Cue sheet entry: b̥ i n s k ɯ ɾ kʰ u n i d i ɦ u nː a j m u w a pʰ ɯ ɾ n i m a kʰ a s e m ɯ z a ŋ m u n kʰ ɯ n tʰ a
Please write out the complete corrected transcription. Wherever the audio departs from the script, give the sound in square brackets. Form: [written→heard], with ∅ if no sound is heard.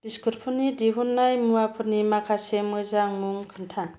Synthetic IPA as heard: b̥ i [n→∅] s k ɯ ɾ [kʰ→pʰ] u n i d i ɦ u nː a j m u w a pʰ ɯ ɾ n i m a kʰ a s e m ɯ z a ŋ m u [n→ŋ] kʰ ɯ n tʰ a